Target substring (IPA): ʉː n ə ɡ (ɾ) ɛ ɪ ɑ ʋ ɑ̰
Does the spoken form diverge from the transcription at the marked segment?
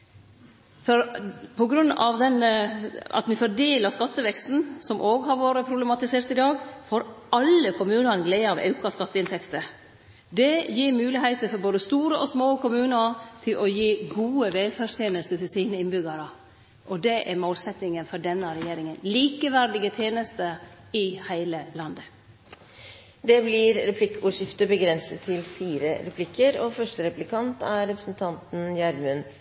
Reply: yes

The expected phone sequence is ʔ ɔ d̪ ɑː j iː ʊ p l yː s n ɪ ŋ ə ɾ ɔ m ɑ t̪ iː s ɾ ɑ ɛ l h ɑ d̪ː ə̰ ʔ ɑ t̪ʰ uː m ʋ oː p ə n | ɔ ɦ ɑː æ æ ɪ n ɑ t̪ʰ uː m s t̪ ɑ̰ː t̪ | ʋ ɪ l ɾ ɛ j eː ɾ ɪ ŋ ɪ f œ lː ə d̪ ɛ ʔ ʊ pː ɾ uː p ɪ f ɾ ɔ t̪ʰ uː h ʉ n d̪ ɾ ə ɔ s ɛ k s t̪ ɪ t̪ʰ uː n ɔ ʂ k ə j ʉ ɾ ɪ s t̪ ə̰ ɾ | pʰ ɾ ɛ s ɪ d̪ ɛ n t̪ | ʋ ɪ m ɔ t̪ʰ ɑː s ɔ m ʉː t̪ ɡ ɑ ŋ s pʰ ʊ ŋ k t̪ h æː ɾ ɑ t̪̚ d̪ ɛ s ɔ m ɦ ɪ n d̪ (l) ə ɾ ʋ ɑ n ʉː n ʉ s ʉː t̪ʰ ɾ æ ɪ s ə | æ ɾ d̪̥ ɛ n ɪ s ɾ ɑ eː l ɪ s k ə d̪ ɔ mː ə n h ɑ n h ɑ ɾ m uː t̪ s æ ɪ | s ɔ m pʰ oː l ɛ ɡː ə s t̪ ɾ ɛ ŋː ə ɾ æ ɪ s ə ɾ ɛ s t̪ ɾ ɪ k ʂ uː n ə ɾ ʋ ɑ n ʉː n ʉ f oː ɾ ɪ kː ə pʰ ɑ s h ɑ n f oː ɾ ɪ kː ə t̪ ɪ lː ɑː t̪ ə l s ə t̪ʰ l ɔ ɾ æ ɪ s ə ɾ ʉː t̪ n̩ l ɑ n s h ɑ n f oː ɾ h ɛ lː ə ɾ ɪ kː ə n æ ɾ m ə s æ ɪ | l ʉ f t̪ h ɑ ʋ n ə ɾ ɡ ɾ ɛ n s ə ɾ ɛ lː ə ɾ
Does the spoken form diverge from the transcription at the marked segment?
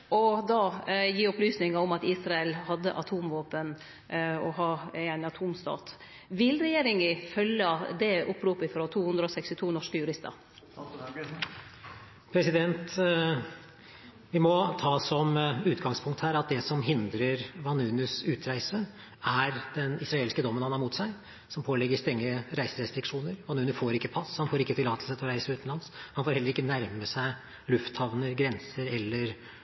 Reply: yes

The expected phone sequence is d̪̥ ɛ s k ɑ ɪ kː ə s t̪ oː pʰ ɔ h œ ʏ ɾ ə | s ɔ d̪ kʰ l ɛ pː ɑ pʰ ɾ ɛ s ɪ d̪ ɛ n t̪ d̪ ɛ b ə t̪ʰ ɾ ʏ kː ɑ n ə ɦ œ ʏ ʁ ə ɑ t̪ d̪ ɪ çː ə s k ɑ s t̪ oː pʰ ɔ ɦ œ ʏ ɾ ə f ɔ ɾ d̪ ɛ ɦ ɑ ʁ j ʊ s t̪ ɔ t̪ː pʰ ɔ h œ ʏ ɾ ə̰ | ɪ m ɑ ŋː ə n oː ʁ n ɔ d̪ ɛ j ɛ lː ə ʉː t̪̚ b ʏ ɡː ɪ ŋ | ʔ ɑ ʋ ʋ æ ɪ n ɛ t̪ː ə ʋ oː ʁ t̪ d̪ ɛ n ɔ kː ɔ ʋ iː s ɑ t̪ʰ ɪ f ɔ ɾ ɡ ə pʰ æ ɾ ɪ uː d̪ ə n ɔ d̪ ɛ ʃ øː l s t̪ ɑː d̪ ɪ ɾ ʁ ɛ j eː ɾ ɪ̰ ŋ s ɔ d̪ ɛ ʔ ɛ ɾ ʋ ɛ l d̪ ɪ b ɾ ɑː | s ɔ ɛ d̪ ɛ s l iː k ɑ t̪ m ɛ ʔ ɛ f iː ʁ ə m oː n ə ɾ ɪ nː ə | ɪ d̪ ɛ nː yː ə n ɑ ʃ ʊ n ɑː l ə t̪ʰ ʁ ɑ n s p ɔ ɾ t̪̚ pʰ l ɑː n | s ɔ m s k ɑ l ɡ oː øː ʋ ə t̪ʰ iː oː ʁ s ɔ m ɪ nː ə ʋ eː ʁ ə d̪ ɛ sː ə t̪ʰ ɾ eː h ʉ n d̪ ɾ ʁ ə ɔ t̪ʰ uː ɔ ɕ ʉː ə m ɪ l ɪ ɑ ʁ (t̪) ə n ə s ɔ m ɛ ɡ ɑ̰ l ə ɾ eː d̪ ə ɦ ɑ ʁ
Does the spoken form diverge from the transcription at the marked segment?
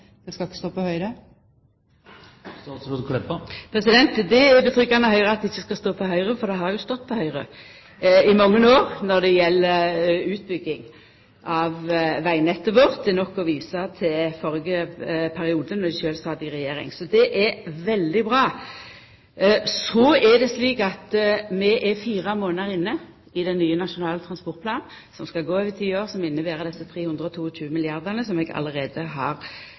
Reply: yes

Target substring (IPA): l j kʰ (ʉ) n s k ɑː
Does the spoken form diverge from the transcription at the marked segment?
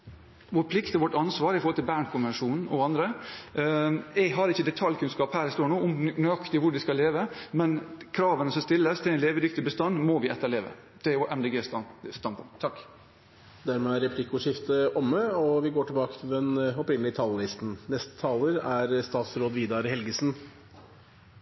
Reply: no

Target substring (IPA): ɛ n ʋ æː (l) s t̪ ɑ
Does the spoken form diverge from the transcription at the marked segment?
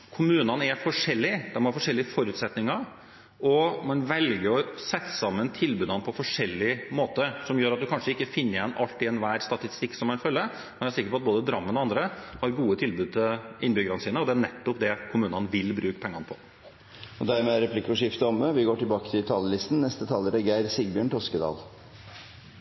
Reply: yes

